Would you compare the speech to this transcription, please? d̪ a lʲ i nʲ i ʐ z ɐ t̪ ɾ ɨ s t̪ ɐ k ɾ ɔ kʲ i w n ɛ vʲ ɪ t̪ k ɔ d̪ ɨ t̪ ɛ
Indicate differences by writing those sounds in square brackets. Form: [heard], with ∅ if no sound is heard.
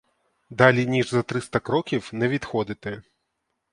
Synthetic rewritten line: d̪ a lʲ i nʲ i ʐ z ɐ t̪ ɾ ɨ s t̪ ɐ k ɾ ɔ kʲ i w n ɛ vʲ [i] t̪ [x] ɔ d̪ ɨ t̪ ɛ

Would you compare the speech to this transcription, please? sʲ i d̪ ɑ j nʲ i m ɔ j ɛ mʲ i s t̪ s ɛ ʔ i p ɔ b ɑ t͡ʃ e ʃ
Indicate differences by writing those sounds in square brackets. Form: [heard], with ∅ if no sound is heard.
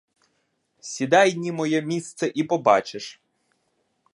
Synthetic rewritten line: sʲ i d̪ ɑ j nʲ i m ɔ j ɛ mʲ i s t̪ s ɛ ʔ i p ɔ b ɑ t͡ʃ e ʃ

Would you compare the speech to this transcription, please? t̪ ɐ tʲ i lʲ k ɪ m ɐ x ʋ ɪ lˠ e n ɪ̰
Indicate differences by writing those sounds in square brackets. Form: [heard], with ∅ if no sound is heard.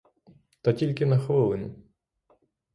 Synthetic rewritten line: t̪ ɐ tʲ i lʲ k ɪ [n] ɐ x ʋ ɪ lˠ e n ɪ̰

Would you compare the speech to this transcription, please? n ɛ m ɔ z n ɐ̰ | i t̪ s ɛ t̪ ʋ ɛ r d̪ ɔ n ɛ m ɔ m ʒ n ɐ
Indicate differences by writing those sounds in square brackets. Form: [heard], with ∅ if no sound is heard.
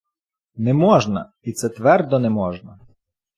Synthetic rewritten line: n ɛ m ɔ [ʒ] n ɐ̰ | i t̪ s ɛ t̪ ʋ ɛ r d̪ ɔ n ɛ m ɔ [∅] ʒ n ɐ

